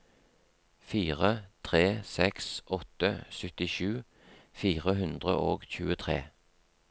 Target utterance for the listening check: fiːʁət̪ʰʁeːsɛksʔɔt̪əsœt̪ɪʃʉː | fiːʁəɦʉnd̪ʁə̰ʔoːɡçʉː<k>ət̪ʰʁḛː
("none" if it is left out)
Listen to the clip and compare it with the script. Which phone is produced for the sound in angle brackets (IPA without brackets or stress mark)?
none